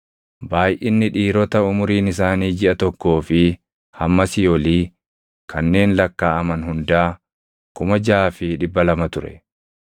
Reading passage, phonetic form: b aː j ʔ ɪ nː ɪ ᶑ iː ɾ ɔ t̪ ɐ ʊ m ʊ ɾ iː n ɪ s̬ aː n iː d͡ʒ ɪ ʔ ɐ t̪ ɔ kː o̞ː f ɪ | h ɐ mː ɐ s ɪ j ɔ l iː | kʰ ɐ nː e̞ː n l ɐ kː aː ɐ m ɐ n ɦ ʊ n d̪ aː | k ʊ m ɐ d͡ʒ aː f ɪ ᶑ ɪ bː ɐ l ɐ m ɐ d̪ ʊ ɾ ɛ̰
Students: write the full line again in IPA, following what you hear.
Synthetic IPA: b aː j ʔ ɪ nː ɪ ᶑ iː ɾ ɔ t̪ ɐ ʊ m ʊ ɾ iː n ɪ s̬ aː n iː d͡ʒ ɪ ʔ ɐ t̪ ɔ kː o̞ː f ɪ | h ɐ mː ɐ s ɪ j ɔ l iː | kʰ ɐ nː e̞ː n l ɐ kː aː ɐ m ɐ n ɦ ʊ n d̪ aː | k ʊ m ɐ d͡ʒ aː f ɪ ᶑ ɪ bː ɐ l ɐ m ɐ t̪ ʊ ɾ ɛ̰

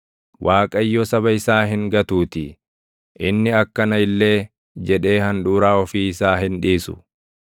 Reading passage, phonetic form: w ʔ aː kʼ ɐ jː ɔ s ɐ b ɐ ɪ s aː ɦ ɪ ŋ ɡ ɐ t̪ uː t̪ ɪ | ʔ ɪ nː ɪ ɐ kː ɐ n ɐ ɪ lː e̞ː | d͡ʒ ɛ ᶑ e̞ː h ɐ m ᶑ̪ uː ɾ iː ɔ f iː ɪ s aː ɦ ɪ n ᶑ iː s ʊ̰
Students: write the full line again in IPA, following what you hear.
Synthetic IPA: w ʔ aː kʼ ɐ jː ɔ s ɐ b ɐ ɪ s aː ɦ ɪ ŋ ɡ ɐ t̪ uː t̪ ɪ | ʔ ɪ nː ɪ ɐ kː ɐ n ɐ ɪ lː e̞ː | d͡ʒ ɛ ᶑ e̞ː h ɐ n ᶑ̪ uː ɾ aː ɔ f iː ɪ s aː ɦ ɪ n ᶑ iː s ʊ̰

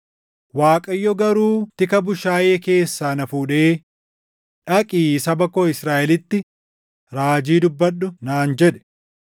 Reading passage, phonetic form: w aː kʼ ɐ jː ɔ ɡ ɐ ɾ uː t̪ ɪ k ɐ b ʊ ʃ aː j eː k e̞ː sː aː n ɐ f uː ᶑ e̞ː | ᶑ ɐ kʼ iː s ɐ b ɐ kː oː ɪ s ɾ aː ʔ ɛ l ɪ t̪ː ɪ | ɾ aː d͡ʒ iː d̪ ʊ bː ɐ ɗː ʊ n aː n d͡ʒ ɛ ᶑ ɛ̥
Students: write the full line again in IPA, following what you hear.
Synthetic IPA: w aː kʼ ɐ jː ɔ ɡ ɐ ɾ uː t̪ ɪ k ɐ b ʊ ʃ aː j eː k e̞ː sː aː n ɐ f uː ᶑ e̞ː | ᶑ ɐ kʼ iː s ɐ b ɐ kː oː ɪ s ɾ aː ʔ ɛ l ɪ t̪ː ɪ | ɾ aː d͡ʒ iː d̪ ʊ bː ɐ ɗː ʊ n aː n d͡ʒ ɛ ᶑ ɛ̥

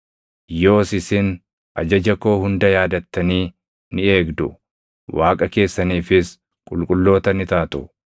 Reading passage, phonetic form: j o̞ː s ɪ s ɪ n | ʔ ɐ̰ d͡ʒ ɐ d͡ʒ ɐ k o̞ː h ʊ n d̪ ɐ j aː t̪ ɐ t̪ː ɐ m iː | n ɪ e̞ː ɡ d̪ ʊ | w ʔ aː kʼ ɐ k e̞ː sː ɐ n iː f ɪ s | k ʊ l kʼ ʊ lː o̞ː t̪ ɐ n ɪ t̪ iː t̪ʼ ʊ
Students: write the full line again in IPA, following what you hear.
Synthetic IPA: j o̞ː s ɪ s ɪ n | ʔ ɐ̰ d͡ʒ ɐ d͡ʒ ɐ k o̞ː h ʊ n d̪ ɐ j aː d̪ ɐ t̪ː ɐ n iː | n ɪ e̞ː ɡ d̪ ʊ | w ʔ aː kʼ ɐ k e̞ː sː ɐ n iː f ɪ s | kʼ ʊ l kʼ ʊ lː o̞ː t̪ ɐ n ɪ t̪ aː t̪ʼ ʊ

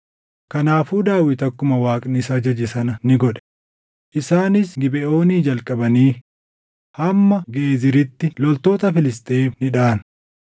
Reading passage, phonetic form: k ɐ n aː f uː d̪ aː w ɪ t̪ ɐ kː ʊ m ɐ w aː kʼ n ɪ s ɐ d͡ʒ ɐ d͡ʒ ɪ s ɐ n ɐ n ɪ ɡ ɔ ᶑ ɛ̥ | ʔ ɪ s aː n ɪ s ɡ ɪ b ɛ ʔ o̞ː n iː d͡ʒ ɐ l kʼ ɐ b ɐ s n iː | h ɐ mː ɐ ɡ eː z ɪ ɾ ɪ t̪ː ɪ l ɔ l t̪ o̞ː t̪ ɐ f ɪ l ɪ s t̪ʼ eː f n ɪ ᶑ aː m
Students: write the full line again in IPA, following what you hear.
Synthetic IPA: k ɐ n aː f uː d̪ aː w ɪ t̪ ɐ kː ʊ m ɐ w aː kʼ n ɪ s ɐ d͡ʒ ɐ d͡ʒ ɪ s ɐ n ɐ n ɪ ɡ ɔ ᶑ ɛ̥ | ʔ ɪ s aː n ɪ s ɡ ɪ b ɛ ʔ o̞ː n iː d͡ʒ ɐ l kʼ ɐ b ɐ n iː | h ɐ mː ɐ ɡ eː z ɪ ɾ ɪ t̪ː ɪ l ɔ l t̪ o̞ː t̪ ɐ f ɪ l ɪ s t̪ʼ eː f n ɪ ᶑ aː n

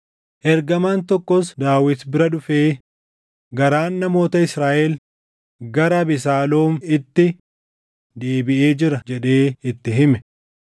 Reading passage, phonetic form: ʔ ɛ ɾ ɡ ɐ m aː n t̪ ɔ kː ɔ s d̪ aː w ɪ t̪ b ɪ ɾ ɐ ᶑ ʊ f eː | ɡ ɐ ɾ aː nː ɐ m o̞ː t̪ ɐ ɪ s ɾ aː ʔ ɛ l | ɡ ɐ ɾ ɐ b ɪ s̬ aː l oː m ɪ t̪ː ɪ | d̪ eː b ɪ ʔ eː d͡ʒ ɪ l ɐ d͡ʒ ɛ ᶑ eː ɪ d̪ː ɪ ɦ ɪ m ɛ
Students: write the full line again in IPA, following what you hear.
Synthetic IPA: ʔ ɛ ɾ ɡ ɐ m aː n t̪ ɔ kː ɔ s d̪ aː w ɪ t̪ b ɪ ɾ ɐ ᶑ ʊ f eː | ɡ ɐ ɾ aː nː ɐ m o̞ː t̪ ɐ ɪ s ɾ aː ʔ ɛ l | ɡ ɐ ɾ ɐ b ɪ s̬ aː l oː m ɪ t̪ː ɪ | d̪ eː b ɪ ʔ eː d͡ʒ ɪ ɾ ɐ d͡ʒ ɛ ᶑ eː ɪ t̪ː ɪ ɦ ɪ m ɛ

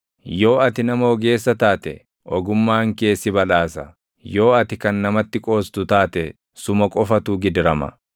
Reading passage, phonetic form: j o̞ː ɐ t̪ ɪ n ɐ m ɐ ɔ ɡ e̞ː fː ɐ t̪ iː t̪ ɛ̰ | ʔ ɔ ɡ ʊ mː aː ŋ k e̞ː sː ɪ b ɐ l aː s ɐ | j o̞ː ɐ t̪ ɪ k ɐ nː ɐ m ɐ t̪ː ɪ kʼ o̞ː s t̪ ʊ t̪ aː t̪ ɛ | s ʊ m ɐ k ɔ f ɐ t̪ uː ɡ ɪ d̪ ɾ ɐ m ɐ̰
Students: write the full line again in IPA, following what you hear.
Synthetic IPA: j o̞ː ɐ t̪ ɪ n ɐ m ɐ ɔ ɡ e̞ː sː ɐ t̪ aː t̪ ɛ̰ | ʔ ɔ ɡ ʊ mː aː ŋ k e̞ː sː ɪ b ɐ l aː s ɐ | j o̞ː ɐ t̪ ɪ k ɐ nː ɐ m ɐ t̪ː ɪ kʼ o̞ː s t̪ ʊ t̪ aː t̪ ɛ | s ʊ m ɐ kʼ ɔ f ɐ t̪ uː ɡ ɪ d̪ ɾ ɐ m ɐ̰

